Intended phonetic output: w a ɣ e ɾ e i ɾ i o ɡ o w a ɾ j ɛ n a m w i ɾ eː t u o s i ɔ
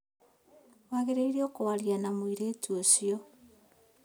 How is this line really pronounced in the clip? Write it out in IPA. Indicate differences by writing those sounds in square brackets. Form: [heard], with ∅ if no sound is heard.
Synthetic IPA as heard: w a ɣ e ɾ e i ɾ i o [k] o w a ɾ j [a] n a m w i ɾ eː t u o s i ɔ